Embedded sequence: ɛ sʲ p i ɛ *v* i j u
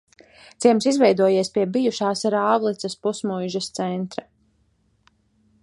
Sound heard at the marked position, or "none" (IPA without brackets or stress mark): b